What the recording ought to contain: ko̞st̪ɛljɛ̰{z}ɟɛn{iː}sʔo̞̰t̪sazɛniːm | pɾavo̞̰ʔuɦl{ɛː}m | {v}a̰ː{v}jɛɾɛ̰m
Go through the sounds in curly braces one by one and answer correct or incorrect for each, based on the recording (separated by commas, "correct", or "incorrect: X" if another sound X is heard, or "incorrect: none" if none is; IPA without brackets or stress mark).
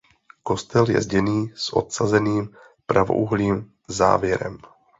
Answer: correct, correct, incorrect: iː, incorrect: z, correct